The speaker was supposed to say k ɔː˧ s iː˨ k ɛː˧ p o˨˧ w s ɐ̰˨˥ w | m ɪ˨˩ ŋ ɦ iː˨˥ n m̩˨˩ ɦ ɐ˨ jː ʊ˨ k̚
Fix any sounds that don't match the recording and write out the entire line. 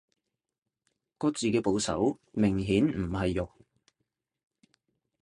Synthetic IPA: k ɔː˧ t͡s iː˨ k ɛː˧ p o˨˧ w s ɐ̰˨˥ w | m ɪ˨˩ ŋ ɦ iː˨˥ n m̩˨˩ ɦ ɐ˨ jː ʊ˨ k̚